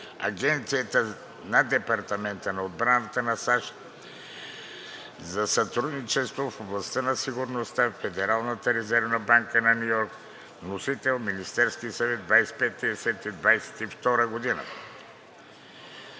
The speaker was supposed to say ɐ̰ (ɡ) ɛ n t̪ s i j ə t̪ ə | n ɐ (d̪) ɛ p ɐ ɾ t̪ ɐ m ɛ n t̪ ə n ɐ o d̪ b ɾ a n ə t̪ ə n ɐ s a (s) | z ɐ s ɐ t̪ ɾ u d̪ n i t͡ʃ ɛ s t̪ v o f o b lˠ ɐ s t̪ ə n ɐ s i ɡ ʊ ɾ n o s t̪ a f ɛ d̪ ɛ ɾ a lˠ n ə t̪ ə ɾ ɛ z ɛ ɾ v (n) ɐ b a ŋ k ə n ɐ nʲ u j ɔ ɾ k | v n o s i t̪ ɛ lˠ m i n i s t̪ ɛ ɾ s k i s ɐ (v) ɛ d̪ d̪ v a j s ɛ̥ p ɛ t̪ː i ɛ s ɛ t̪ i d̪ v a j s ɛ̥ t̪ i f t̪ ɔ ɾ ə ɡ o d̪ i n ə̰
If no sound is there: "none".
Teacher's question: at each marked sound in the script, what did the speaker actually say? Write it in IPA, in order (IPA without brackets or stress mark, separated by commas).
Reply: ɡ, d̪, ʃ, n, v